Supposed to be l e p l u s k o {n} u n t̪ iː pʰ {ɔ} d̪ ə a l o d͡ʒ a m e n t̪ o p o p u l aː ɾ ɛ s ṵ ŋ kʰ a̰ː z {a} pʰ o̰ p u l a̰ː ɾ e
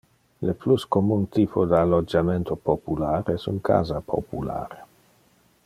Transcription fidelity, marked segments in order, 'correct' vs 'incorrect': incorrect, incorrect, correct

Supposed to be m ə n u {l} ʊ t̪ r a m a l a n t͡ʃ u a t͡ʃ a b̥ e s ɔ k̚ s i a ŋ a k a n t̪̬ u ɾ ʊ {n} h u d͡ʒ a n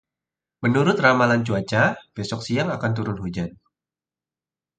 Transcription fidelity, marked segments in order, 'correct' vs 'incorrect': incorrect, correct

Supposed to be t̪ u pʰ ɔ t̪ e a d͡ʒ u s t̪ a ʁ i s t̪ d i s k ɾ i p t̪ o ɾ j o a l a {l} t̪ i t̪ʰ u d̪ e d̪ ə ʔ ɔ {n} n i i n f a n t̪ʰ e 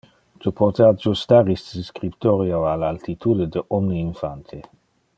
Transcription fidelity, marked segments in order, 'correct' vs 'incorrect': correct, incorrect

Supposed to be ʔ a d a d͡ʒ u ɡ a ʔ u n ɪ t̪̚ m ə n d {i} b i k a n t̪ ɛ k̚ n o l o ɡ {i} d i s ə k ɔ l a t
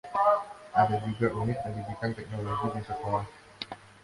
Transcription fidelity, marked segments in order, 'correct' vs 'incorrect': correct, correct

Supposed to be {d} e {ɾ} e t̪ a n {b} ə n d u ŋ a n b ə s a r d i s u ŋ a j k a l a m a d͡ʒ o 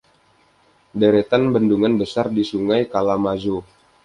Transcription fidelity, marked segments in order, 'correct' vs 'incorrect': correct, correct, correct

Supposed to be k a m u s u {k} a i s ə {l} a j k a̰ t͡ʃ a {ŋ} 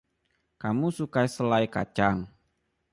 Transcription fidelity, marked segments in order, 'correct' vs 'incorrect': correct, correct, correct

